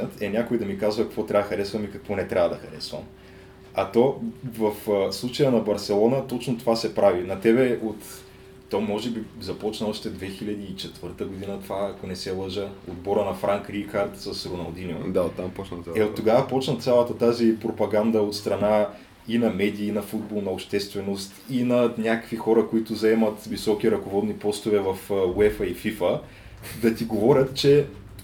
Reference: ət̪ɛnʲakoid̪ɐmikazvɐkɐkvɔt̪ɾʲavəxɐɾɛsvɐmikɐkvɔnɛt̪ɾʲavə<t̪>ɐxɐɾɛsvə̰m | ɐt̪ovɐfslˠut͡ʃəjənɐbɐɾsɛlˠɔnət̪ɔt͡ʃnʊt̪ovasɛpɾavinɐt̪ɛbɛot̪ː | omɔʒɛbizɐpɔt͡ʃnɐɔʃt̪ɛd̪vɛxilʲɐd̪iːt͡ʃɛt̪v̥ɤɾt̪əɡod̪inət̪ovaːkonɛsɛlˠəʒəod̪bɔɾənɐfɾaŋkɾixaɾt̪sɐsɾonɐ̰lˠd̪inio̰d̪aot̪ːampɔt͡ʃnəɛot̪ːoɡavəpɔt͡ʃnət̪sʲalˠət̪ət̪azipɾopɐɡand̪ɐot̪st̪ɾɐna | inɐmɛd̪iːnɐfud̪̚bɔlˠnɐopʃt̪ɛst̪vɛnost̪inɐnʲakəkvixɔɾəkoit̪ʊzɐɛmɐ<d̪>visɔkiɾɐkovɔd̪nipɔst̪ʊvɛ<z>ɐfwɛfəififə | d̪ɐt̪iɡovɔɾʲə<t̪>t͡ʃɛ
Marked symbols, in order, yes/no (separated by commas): no, no, no, yes